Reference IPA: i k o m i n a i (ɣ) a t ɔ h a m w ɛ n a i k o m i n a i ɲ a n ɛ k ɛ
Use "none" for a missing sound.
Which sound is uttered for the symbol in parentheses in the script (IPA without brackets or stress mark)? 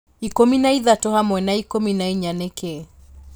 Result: ð